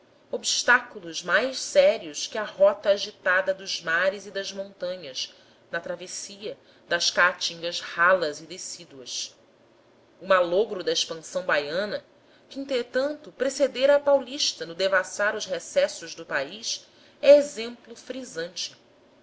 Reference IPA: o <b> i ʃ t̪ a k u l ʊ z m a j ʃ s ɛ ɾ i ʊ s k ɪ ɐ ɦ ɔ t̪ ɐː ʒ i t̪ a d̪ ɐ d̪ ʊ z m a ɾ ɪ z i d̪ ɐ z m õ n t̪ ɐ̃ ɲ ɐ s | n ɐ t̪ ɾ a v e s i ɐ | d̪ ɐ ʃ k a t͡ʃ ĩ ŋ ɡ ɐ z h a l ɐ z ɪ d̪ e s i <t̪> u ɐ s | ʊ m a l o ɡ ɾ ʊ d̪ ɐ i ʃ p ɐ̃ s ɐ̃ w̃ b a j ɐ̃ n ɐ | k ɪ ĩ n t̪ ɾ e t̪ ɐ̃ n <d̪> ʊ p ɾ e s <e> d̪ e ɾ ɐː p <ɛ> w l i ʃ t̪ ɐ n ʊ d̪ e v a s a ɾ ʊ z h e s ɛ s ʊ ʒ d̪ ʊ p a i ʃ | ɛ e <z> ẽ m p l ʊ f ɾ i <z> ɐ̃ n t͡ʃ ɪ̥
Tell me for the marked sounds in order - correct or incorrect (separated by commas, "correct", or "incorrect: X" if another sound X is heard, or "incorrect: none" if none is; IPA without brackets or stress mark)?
correct, incorrect: d̪, incorrect: t̪, correct, incorrect: a, correct, correct